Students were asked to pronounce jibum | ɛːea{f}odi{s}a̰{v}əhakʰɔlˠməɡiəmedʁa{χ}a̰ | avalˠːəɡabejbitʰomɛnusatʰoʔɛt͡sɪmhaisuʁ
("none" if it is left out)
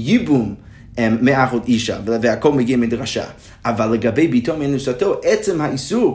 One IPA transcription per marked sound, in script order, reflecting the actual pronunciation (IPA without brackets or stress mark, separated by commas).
χ, ʃ, v, ʃ